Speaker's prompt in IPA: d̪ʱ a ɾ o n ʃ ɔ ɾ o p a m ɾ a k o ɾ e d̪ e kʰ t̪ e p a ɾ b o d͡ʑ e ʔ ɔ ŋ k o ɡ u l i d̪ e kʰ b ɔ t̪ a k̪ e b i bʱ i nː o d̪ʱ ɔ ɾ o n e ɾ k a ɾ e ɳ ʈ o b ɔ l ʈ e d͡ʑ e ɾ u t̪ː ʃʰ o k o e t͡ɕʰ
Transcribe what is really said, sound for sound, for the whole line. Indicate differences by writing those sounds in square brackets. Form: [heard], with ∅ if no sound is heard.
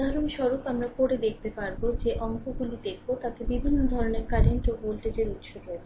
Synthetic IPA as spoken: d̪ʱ a ɾ o n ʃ ɔ ɾ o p a m ɾ a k o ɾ e d̪ e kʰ t̪ e p a ɾ b o d͡ʑ e ʔ ɔ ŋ k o ɡ u l i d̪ e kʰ b [o] t̪ a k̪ e b i bʱ i nː o d̪ʱ ɔ ɾ o n e ɾ k a ɾ e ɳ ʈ o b [o] l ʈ e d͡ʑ e ɾ u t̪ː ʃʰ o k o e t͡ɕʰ